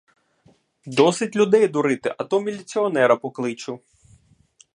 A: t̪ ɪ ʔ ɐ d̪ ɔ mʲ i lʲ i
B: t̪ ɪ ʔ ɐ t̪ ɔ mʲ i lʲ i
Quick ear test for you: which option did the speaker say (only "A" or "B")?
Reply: B